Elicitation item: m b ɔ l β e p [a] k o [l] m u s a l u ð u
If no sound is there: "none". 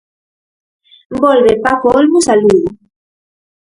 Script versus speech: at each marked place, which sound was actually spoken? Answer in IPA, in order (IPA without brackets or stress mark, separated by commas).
a, l